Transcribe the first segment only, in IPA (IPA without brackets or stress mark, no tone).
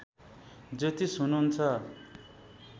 d͡z